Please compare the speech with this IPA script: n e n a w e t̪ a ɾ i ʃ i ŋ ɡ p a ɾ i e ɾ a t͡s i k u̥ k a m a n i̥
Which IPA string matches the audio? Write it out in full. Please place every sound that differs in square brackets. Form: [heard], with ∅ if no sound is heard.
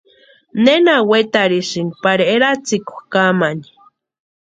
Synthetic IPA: n e n a w e t̪ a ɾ i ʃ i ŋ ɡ p a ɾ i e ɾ a t͡s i k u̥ k a m a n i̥